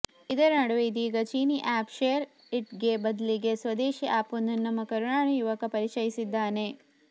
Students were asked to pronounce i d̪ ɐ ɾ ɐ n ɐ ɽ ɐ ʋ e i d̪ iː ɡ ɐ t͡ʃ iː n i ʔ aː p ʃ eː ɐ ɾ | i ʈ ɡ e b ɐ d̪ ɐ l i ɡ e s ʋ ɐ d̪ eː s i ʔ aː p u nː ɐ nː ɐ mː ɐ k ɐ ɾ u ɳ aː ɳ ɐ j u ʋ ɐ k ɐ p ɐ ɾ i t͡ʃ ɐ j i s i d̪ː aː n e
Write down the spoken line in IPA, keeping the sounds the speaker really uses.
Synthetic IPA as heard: i d̪ ɐ ɾ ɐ n ɐ ɽ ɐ ʋ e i d̪ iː ɡ ɐ t͡ʃ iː n i ʔ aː p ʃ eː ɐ ɾ | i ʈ ɡ e b ɐ d̪ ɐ l i ɡ e s ʋ ɐ d̪ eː ʃ i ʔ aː p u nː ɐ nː ɐ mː ɐ k ɐ ɾ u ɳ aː ɳ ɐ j u ʋ ɐ k ɐ p ɐ ɾ i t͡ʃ ɐ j i s i d̪ː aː n e